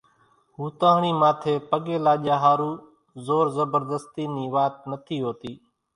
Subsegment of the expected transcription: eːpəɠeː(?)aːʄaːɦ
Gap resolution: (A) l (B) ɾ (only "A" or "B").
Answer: A